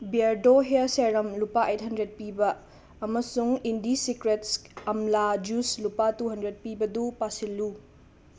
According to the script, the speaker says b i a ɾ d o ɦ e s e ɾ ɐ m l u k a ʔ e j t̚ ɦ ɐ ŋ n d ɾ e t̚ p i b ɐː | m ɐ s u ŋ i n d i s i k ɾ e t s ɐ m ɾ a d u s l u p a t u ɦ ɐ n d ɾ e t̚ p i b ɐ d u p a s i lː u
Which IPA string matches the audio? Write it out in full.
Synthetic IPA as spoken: b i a ɾ d o ɦ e s e ɾ ɐ m l u p a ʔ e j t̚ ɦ ɐ n d ɾ e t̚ p i b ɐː | m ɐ s u ŋ i n d i s i k ɾ e t s ɐ m l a d͡ʒ u s l u p a t u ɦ ɐ n d ɾ e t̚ p i b ɐ d u p a s i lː u